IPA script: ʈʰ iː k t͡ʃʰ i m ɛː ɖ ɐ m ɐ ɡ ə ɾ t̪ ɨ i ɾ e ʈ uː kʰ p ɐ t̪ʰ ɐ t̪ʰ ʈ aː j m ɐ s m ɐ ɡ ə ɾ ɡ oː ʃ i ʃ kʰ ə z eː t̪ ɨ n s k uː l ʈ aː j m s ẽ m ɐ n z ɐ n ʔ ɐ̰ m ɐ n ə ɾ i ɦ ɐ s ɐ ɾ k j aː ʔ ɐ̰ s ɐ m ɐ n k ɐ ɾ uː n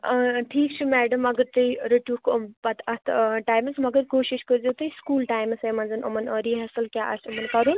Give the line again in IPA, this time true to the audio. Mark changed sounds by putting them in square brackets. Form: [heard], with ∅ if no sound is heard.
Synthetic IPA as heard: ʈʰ iː k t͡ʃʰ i m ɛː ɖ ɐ m ɐ ɡ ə ɾ t̪ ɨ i ɾ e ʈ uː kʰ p ɐ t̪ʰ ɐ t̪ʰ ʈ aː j m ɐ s m ɐ ɡ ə ɾ [k] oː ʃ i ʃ [k] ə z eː t̪ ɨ [∅] s k uː l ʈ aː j m s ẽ m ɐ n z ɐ n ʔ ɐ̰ m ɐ n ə ɾ i ɦ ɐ s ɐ [l] k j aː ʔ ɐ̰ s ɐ m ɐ n k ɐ ɾ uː n